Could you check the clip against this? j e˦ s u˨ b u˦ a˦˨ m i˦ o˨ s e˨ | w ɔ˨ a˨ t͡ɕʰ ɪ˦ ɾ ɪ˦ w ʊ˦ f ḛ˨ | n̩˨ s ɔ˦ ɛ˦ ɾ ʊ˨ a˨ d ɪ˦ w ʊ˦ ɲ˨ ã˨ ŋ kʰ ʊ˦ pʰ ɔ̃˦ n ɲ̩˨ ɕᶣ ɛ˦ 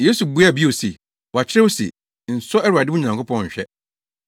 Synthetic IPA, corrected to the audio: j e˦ s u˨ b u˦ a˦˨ b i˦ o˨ s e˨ | w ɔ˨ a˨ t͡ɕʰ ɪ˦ ɾ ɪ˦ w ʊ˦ s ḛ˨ | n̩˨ s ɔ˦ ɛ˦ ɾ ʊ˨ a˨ d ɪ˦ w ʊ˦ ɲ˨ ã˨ ŋ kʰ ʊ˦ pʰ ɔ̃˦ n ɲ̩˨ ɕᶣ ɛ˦